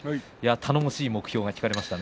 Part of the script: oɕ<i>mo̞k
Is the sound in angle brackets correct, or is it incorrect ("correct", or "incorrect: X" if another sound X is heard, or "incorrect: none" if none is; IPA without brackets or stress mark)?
incorrect: iː